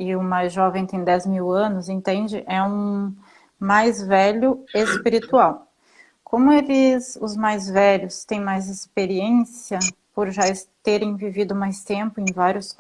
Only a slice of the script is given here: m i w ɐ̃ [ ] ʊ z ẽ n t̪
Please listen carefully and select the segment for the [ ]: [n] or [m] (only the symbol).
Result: n